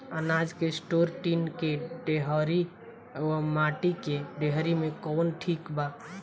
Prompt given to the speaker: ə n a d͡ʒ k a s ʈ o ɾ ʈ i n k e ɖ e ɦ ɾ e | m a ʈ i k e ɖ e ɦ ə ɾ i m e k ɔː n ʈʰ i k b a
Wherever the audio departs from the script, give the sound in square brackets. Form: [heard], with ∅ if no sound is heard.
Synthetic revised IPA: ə n a d͡ʒ k [e] s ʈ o ɾ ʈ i n k e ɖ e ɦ ɾ [i] | m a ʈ i k e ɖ e ɦ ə ɾ i m e k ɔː n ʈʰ i k b a